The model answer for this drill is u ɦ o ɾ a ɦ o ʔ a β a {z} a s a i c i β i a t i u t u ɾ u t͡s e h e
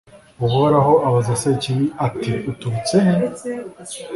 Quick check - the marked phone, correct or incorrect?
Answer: correct